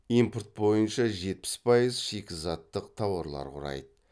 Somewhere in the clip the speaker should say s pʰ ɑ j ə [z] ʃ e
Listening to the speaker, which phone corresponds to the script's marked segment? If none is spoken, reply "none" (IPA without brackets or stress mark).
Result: z